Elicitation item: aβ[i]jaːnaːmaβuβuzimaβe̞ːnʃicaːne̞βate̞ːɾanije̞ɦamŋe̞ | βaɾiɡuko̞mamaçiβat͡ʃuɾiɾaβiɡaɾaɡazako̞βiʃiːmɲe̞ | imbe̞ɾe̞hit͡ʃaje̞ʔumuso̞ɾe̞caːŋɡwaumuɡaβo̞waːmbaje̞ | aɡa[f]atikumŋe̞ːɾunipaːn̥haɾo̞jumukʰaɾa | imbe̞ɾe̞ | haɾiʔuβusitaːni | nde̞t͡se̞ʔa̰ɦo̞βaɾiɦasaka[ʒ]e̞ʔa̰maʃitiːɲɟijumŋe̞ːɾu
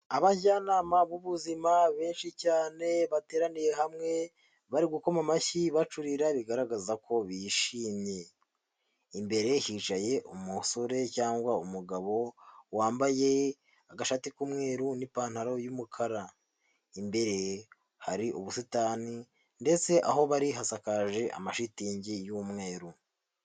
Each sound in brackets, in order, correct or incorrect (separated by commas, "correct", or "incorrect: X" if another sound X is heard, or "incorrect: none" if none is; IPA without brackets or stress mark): incorrect: a, incorrect: ʃ, correct